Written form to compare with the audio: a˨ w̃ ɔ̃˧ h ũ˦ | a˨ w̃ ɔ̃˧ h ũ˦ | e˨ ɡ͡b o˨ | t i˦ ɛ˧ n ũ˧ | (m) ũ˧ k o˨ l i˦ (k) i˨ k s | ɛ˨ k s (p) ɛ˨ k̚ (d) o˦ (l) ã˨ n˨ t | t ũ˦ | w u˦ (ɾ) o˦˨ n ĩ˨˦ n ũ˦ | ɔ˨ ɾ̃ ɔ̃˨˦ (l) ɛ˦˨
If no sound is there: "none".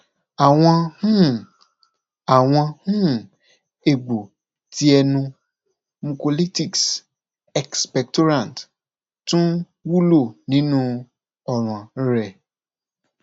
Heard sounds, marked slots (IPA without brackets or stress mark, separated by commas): m, t, p, t, ɾ, l, ɾ